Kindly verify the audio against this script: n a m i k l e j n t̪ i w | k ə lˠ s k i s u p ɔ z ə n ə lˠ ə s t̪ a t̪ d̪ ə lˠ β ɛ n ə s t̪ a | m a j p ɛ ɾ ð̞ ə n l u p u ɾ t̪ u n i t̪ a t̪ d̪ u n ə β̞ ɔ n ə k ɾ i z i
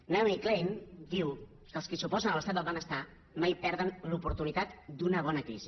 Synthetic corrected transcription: n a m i k l e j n d̪ i w | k ə lˠ s k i s u p ɔ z ə n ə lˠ ə s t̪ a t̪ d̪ ə lˠ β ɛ n ə s t̪ a | m a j p ɛ ɾ ð̞ ə n l u p u ɾ t̪ u n i t̪ a t̪ d̪ u n ə β̞ ɔ n ə k ɾ i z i

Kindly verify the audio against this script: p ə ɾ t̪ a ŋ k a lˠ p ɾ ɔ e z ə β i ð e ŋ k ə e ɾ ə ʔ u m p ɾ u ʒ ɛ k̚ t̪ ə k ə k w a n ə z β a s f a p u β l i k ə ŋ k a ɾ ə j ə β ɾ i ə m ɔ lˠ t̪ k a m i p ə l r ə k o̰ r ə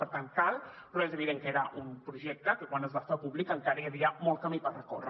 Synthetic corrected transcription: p ə ɾ t̪ a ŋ k a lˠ p ɾ ɔ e z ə β i ð e ŋ k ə e ɾ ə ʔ u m p ɾ u ʒ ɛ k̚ t̪ ə k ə k w a n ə z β a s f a p u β l i k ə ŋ k a ɾ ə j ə β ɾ i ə m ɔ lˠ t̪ k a m i p ə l r ə k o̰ r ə

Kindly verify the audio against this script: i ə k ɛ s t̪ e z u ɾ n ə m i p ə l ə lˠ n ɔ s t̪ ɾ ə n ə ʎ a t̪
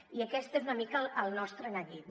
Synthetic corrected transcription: i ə k ɛ s t̪ e z u n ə m i k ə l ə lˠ n ɔ s t̪ ɾ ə n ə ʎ i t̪

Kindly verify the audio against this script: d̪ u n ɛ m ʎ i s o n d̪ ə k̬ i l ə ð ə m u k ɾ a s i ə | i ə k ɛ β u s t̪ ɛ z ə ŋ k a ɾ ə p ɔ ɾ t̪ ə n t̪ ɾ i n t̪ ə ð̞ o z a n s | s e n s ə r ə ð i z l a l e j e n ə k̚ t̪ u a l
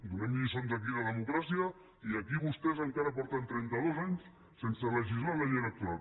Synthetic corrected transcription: d̪ u n ɛ m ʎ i s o n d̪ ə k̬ i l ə ð ə m u k ɾ a s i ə | i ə k i β u s t̪ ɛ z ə ŋ k a ɾ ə p ɔ ɾ t̪ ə n t̪ ɾ ɛ n t̪ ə ð̞ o z a ɲ s | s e n s ə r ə ʒ i z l a l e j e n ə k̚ t̪ u a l

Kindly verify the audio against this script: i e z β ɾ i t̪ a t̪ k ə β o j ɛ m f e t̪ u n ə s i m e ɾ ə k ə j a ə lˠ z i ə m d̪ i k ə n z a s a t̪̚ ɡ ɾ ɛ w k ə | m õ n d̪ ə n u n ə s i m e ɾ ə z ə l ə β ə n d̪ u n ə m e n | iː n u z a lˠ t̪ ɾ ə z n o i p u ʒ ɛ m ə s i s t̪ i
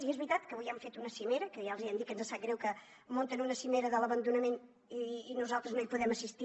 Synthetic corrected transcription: i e z β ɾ i t̪ a t̪ k ə β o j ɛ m f e t̪ u n ə s i m e ɾ ə k ə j a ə lˠ z i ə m d̪ i k ə n z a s a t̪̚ ɡ ɾ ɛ w k ə | m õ n t̪ ə n u n ə s i m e ɾ ə ð ə l ə β ə n d̪ u n ə m e n | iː n u z a lˠ t̪ ɾ ə z n o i p u ð ɛ m ə s i s t̪ i

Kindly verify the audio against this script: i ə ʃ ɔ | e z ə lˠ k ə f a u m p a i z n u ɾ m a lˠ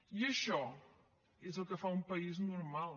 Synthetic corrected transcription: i ə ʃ ɔ | e z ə lˠ k ə f a u m p ə i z n u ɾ m a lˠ

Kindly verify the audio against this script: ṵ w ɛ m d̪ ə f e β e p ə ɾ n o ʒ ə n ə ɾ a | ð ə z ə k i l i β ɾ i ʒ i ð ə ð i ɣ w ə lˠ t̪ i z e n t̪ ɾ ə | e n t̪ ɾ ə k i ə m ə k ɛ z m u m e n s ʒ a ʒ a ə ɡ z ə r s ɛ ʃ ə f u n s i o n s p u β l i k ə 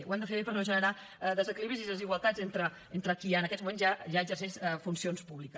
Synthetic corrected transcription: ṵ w ɛ m d̪ ə f e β e p ə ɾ n o ʒ ə n ə ɾ a | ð ə z ə k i l i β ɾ i z i ð ə z i ɣ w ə lˠ t̪ a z e n t̪ ɾ ə | e n t̪ ɾ ə k i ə n ə k ɛ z m u m e n z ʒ a ʒ a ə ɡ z ə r s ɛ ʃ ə f u n s i o n s p u β l i k ə

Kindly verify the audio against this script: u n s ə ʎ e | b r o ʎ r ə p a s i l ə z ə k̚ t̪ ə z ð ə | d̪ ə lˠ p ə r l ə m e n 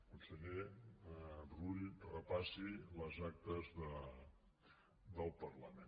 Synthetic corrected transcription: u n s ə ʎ e | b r u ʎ r ə p a s i l ə z a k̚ t̪ ə z ð ə | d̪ ə lˠ p ə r l ə m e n

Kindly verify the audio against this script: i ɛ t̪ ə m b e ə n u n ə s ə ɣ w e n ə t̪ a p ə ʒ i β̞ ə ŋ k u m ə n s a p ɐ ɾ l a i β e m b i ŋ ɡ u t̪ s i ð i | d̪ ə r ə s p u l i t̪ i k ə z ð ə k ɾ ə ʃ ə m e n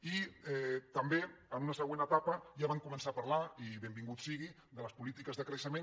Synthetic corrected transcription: i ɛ t̪ ə m b e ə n u n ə s ə ɣ w e n ə t̪ a p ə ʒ a β̞ a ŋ k u m ə n s a p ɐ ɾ l a i β e m b i ŋ ɡ u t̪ s i ɣ i | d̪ ə l ə s p u l i t̪ i k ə z ð ə k ɾ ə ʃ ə m e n

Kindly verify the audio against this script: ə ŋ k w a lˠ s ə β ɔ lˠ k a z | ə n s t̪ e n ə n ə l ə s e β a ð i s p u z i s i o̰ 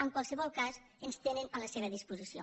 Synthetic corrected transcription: ə ŋ k w a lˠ s ə β ɔ lˠ k a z | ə n s t̪ e n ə n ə l ə s e β ə ð i s p u z i s i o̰

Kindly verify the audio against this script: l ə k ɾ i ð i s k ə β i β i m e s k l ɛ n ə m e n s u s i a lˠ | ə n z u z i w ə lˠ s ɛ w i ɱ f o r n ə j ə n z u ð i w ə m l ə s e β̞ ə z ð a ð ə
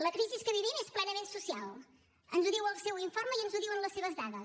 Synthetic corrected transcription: l ə k ɾ i z i s k ə β i β i m e s p l ɛ n ə m e n s u s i a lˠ | ə n z u ð i w ə lˠ s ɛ w i ɱ f o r m ə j ə n z u ð i w ə n l ə s e β̞ ə z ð a ð ə

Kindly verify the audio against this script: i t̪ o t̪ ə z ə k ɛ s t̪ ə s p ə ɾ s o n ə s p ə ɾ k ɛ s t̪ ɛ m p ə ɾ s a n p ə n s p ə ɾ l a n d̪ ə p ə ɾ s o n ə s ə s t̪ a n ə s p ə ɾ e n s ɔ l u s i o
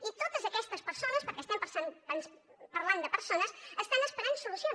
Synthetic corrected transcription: i t̪ o t̪ ə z ə k ɛ s t̪ ə s p ə ɾ s o n ə s p ə ɾ k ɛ s t̪ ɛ m p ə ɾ s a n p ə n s p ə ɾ l a n d̪ ə p ə ɾ s o n ə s ə s t̪ a n ə s p ə ɾ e n s u l u s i o

